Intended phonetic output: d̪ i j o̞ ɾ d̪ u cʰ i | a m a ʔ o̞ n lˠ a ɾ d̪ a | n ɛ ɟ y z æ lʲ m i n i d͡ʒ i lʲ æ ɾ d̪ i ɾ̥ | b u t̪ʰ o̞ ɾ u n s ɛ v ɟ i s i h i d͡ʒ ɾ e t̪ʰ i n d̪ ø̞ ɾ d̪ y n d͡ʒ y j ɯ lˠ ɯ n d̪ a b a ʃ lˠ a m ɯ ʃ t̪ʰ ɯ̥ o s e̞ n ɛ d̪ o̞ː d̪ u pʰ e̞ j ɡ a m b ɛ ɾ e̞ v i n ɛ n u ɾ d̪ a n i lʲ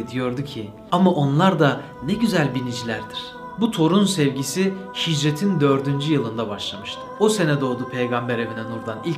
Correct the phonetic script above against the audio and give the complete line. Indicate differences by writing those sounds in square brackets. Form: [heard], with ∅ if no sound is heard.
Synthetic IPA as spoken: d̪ i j o̞ ɾ d̪ u cʰ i | a m a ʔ o̞ n lˠ a ɾ d̪ a | n ɛ ɟ y z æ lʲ [b] i n i d͡ʒ i lʲ æ ɾ d̪ i ɾ̥ | b u t̪ʰ o̞ ɾ u n s ɛ v ɟ i s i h i d͡ʒ ɾ e t̪ʰ i n d̪ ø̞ ɾ d̪ y n d͡ʒ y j ɯ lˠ ɯ n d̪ a b a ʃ lˠ a m ɯ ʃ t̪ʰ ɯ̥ o s e̞ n ɛ d̪ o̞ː d̪ u pʰ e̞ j ɡ a m b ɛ ɾ e̞ v i n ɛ n u ɾ d̪ a n i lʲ